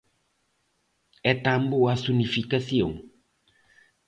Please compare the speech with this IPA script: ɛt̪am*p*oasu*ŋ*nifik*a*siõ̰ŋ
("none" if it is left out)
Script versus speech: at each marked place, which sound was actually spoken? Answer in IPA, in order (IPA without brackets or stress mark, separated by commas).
b, none, a